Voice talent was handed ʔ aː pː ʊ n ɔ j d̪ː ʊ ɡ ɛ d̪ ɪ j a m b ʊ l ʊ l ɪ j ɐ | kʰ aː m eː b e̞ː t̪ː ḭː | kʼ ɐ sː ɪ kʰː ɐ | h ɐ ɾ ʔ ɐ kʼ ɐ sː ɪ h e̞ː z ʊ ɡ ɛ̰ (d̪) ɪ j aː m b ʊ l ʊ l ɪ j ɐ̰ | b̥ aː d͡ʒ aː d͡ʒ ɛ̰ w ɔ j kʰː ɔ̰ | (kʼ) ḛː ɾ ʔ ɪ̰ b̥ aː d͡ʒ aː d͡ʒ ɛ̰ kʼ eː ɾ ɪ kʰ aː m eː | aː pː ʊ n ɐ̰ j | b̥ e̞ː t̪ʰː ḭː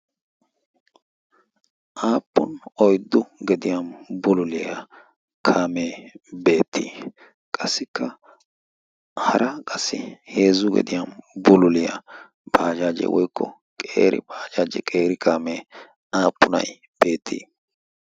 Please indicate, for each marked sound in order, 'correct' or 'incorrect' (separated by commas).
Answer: correct, correct